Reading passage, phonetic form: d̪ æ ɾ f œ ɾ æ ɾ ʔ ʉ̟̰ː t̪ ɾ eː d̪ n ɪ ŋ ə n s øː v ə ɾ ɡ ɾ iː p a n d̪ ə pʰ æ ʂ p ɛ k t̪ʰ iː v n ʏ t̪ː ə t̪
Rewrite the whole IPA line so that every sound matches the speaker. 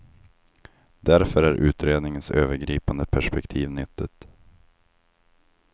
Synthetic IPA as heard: d̪ æ ɾ f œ ɾ æ ɾ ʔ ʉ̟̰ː t̪ ɾ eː d̪ n ɪ ŋ ə n s øː v ə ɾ ɡ ɾ iː p a n d̪ ə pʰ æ ʂ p ɛ k t̪ʰ iː v n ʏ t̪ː ə t̪